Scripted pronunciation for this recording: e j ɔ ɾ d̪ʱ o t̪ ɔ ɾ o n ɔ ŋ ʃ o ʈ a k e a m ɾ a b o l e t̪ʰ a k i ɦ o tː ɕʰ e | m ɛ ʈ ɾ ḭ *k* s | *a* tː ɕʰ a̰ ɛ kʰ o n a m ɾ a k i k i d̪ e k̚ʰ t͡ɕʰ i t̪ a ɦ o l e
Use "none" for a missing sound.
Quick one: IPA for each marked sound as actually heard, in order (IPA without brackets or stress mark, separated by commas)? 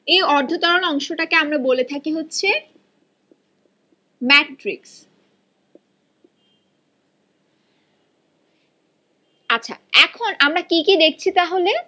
k, a